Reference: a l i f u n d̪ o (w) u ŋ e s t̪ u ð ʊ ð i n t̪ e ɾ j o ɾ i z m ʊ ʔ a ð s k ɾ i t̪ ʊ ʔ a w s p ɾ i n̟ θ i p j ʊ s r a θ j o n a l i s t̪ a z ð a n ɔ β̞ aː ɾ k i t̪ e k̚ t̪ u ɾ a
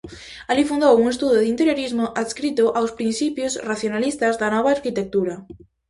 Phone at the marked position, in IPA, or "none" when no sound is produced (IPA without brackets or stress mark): w